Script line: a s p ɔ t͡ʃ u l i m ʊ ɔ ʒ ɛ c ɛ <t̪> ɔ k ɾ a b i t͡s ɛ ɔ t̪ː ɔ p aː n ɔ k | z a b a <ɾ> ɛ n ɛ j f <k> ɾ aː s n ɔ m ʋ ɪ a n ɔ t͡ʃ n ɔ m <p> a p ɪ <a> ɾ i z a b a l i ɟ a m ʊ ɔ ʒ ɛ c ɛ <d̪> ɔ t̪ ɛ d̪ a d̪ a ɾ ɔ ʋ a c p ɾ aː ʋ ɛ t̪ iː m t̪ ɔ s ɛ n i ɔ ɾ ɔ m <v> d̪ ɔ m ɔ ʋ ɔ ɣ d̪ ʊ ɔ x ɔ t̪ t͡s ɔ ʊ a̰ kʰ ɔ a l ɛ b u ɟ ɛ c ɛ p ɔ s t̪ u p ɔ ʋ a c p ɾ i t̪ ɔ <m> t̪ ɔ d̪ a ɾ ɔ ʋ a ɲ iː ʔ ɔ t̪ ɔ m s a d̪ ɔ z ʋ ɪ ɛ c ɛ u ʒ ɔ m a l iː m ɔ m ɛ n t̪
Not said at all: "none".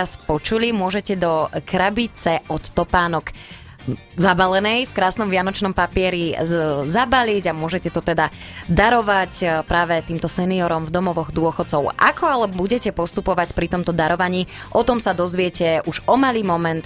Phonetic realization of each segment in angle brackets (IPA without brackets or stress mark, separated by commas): d̪, l, k, p, ɛ, t̪, v, m